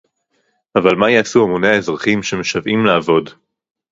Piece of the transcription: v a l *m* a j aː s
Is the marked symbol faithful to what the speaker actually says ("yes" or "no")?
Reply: yes